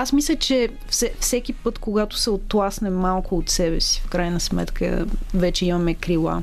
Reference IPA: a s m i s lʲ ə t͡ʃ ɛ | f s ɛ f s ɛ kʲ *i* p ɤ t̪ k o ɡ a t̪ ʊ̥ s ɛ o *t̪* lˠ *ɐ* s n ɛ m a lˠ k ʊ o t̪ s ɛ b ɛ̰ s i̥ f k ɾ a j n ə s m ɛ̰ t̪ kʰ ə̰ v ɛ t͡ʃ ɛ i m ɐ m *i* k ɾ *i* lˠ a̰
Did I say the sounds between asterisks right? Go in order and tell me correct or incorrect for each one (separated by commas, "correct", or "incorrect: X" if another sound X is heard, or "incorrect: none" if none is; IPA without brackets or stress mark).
correct, correct, incorrect: a, incorrect: ɛ, correct